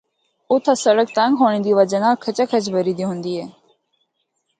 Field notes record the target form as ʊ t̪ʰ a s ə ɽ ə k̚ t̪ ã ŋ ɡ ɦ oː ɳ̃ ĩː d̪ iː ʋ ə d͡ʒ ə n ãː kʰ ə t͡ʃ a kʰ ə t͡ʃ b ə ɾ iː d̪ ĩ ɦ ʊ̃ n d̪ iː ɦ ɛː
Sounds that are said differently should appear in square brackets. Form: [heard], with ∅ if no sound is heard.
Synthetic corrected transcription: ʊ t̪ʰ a s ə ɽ ə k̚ t̪ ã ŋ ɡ ɦ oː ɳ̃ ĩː d̪ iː ʋ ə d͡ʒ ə n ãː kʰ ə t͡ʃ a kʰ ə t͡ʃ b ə ɾ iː d̪ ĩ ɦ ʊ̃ n d̪ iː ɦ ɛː